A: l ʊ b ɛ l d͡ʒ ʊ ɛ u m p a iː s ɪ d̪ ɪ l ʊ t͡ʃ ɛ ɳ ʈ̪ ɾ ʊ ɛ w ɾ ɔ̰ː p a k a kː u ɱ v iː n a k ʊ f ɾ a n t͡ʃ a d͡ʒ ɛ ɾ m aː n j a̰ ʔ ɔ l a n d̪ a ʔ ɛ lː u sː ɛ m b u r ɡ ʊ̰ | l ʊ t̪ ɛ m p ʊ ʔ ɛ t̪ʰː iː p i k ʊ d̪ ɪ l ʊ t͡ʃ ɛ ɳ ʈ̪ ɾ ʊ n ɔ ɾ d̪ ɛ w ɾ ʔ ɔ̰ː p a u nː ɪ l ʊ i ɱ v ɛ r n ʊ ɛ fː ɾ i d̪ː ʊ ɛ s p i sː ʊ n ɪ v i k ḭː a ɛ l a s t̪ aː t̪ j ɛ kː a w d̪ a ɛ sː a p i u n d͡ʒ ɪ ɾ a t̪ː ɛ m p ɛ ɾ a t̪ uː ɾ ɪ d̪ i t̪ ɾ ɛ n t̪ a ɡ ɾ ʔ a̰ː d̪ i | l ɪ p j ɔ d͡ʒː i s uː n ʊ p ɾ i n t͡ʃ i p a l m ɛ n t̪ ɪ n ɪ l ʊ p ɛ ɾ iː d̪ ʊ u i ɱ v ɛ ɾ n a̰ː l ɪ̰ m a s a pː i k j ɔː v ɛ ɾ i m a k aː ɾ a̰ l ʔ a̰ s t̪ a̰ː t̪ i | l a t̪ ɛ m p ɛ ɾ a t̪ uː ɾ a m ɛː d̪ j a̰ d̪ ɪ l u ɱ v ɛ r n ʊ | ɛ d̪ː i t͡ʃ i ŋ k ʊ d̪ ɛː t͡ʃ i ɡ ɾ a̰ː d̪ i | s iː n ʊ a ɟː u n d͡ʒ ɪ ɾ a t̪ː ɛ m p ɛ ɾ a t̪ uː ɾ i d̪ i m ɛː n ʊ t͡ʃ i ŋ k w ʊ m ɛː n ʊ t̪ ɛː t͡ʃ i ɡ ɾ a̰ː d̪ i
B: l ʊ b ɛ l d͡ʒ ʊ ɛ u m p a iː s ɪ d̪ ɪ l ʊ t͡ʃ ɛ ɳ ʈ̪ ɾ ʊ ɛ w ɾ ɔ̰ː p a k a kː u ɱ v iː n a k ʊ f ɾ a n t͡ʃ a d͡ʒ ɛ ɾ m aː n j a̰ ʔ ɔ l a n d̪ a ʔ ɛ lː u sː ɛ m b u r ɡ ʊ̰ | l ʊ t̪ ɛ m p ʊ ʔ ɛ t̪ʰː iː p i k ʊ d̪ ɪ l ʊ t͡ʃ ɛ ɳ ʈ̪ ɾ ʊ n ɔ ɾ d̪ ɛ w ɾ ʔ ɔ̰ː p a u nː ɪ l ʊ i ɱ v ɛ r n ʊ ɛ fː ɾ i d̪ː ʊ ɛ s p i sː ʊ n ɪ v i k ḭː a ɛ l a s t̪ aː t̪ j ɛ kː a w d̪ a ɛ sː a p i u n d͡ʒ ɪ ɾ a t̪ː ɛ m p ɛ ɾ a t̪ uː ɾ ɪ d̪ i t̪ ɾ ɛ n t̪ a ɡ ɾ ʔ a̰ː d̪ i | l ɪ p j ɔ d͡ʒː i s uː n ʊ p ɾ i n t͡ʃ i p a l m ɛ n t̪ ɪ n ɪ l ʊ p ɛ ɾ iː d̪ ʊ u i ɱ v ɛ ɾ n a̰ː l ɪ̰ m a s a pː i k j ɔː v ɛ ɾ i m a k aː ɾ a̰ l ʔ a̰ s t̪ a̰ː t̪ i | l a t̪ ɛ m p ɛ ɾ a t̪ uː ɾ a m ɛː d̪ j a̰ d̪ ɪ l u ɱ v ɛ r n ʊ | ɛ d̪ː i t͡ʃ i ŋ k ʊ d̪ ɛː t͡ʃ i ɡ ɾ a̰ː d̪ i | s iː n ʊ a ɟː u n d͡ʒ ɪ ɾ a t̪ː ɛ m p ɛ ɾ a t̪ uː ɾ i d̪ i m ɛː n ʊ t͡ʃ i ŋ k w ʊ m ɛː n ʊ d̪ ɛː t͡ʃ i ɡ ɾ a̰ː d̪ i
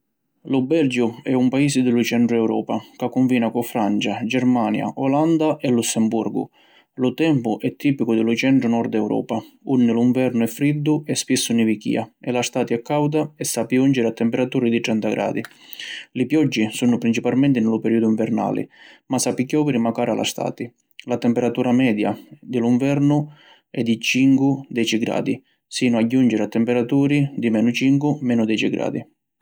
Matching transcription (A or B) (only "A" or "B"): B